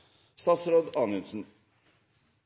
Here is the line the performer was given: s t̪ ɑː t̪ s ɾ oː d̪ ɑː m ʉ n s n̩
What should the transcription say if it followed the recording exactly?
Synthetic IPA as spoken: s t̪ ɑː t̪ s ɾ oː d̪ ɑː n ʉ n s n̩